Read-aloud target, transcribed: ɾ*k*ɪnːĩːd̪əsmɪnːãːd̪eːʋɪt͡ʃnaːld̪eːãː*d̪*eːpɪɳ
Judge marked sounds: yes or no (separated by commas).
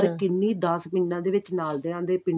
yes, yes